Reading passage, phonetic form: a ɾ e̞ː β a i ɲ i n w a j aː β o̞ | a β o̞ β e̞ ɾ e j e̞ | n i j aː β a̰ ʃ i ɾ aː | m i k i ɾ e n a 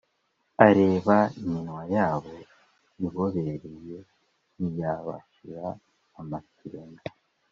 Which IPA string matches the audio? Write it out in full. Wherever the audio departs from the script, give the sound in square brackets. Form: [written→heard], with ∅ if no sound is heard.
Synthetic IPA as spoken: a ɾ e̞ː β a i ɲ i n w a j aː β o̞ | [a→i] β o̞ β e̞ ɾ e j e̞ | n i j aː β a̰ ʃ i ɾ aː | m [i→a] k i ɾ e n a